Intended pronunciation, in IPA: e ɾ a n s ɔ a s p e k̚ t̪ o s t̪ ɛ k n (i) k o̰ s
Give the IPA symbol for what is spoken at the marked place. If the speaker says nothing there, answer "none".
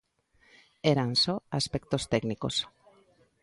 i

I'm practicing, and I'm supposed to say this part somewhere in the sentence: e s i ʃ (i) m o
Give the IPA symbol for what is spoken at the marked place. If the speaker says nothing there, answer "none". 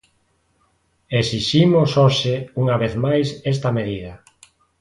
i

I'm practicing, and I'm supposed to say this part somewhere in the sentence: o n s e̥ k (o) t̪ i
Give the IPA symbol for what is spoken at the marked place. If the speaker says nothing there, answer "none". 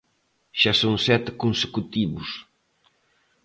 u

